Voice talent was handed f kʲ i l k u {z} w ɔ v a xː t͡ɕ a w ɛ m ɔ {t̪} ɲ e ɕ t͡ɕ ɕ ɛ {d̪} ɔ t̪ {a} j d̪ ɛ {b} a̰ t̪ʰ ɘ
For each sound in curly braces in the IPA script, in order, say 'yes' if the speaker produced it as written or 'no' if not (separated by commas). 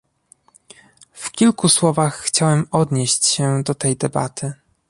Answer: no, no, yes, no, yes